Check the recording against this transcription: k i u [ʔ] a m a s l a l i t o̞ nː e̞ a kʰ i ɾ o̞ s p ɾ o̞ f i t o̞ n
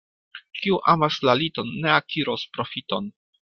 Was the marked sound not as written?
no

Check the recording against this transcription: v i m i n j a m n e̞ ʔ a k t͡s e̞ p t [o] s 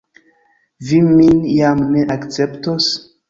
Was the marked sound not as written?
no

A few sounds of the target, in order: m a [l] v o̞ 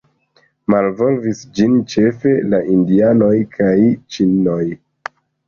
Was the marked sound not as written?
no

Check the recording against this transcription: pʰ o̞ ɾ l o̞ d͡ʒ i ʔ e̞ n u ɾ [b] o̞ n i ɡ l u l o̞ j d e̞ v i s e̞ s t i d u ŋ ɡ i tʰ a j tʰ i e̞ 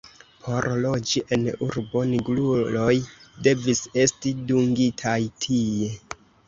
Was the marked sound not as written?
no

